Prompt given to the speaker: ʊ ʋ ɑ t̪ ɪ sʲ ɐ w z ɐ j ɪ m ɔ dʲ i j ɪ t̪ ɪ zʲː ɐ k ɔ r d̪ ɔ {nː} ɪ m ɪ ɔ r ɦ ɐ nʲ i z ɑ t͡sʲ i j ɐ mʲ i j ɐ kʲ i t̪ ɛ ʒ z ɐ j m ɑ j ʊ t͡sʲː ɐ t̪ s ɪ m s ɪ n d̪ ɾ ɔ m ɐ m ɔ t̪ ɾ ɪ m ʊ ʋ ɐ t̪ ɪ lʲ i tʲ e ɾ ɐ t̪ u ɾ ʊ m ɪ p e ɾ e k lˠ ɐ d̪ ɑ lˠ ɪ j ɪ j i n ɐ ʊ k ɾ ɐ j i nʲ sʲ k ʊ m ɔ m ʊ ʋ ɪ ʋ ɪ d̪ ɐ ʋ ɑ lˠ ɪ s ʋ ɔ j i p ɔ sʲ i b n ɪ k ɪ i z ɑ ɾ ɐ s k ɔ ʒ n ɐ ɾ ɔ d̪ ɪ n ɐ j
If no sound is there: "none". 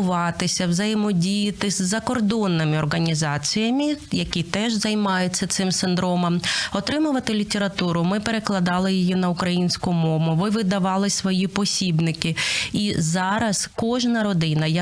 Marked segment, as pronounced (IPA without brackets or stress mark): nː